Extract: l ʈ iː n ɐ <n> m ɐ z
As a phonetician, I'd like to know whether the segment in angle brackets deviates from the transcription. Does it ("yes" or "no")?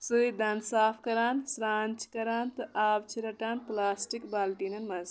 no